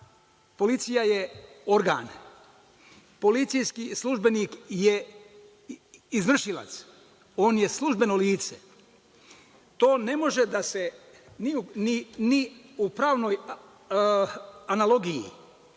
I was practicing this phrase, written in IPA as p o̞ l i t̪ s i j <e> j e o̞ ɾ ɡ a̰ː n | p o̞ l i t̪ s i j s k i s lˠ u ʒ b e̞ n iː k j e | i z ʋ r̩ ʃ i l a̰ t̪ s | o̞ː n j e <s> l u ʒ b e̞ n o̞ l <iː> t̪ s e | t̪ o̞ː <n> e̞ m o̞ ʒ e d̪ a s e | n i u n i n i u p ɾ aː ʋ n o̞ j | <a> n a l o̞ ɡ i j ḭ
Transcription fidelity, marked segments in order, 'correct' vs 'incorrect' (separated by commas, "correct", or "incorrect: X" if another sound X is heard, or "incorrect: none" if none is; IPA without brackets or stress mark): incorrect: a, correct, correct, correct, correct